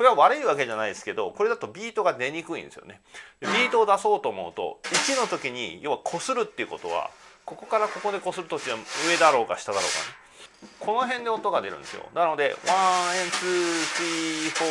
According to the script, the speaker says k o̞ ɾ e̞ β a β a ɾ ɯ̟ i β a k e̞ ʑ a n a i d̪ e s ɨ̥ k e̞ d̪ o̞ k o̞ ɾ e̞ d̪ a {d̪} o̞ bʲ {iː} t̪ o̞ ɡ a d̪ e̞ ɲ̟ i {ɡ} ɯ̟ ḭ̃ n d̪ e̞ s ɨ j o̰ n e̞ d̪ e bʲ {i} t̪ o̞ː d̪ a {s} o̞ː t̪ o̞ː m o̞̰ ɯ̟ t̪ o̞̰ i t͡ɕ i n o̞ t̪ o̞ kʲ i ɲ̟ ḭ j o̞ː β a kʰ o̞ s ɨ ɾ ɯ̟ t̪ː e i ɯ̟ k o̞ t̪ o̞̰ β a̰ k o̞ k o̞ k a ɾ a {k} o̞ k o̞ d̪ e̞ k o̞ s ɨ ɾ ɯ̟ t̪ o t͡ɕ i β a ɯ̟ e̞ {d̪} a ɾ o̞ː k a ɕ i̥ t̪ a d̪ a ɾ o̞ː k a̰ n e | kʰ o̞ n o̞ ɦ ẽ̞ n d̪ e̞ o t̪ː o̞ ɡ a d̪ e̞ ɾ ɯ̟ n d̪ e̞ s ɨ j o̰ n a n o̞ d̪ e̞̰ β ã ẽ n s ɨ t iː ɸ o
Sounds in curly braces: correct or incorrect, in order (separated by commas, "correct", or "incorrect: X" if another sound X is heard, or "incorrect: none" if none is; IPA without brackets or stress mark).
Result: incorrect: t̪, correct, incorrect: k, incorrect: iː, correct, correct, correct